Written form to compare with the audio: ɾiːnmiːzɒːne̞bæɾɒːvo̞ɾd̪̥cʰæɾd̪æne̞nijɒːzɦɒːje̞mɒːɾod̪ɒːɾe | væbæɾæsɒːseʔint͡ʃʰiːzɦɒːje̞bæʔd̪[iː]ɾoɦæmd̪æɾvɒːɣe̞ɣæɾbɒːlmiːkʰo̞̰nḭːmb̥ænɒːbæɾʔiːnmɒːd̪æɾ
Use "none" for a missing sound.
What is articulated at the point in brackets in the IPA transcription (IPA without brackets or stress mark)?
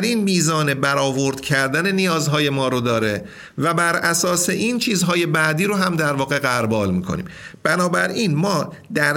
iː